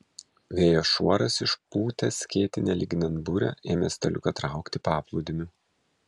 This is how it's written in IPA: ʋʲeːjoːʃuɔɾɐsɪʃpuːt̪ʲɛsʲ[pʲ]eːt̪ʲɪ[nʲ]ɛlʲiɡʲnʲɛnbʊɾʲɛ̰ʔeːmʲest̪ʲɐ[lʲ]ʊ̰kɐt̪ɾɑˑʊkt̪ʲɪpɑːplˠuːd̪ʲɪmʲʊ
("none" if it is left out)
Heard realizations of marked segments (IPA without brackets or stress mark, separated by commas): kʲ, nʲ, lʲ